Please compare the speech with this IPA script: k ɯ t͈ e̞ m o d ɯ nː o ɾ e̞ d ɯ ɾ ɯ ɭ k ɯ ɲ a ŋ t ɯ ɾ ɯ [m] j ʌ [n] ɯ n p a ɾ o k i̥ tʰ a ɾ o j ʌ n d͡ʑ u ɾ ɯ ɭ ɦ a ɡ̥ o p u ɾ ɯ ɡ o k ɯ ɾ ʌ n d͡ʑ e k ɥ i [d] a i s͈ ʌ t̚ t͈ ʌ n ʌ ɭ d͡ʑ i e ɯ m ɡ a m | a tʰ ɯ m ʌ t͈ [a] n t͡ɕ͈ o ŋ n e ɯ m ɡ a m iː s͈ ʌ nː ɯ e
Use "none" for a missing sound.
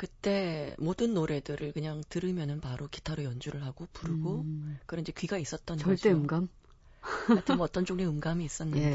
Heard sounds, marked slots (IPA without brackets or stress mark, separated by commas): m, n, ɡ, ʌ